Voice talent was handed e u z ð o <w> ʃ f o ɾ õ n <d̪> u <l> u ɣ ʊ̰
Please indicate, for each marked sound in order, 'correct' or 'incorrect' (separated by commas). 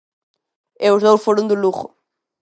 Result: correct, correct, correct